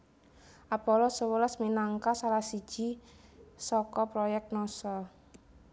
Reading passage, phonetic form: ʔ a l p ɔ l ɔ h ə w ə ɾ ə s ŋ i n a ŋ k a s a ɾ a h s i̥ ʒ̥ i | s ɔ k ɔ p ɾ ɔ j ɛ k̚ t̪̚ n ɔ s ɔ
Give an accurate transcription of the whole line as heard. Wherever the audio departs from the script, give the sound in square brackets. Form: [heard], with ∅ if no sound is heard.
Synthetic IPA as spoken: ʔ a [∅] p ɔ l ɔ [s] ə w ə [l] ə s [m] i n a ŋ k a s a [l] a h s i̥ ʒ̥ i | s ɔ k ɔ p ɾ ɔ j ɛ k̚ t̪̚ n ɔ s ɔ